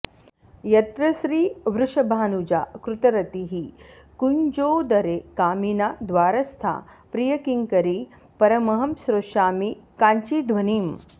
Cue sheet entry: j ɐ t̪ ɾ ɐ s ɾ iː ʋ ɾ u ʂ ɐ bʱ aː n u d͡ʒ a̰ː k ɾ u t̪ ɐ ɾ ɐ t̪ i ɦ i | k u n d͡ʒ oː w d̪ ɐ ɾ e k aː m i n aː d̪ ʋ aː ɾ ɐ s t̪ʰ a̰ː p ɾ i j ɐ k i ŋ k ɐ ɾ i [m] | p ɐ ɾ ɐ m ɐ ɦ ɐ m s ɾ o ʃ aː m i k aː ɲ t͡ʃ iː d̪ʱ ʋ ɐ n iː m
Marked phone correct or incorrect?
incorrect